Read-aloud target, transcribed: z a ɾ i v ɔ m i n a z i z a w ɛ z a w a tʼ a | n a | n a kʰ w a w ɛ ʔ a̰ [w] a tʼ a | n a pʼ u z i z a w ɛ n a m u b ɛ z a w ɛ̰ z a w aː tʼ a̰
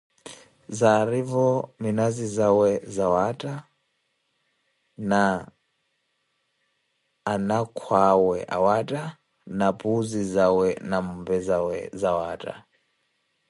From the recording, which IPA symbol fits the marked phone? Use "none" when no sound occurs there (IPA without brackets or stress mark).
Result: w